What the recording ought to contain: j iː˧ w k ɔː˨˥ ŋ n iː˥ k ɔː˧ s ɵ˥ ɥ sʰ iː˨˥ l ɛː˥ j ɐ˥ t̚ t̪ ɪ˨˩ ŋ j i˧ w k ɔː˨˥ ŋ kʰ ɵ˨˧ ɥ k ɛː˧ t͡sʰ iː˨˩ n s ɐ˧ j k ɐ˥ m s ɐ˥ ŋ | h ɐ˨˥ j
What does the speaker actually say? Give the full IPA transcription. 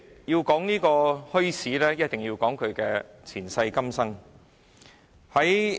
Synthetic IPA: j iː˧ w k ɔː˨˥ ŋ n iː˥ k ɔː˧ h ɵ˥ ɥ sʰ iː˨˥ l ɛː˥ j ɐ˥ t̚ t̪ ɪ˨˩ ŋ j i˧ w k ɔː˨˥ ŋ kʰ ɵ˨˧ ɥ k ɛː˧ t͡sʰ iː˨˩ n s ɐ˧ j k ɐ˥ m s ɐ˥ ŋ | h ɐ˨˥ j